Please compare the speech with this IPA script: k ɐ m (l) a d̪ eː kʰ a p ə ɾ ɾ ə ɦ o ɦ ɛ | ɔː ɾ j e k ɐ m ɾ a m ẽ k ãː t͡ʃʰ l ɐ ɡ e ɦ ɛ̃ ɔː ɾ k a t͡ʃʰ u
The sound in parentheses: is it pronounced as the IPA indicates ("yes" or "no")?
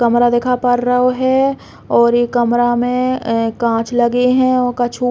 no